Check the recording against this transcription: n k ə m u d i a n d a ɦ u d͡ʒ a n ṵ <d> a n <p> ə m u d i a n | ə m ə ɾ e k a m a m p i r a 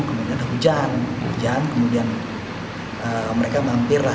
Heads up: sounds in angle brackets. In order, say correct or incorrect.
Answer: incorrect: d͡ʒ, incorrect: k

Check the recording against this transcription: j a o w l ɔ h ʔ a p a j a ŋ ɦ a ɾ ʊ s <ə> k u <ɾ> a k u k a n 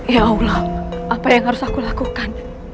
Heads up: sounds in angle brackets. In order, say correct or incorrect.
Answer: incorrect: a, incorrect: l

